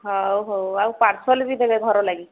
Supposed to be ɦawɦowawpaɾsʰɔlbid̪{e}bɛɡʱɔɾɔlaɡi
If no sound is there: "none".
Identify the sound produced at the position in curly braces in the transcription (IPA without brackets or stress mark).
e